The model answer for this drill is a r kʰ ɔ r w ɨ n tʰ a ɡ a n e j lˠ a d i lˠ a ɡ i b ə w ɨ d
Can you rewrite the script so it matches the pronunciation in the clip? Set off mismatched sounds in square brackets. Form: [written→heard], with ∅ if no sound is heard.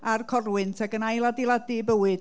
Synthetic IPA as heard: a r kʰ ɔ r w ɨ n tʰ a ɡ [a→ə] n [e→a] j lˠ a d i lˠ a [ɡ→d] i b ə w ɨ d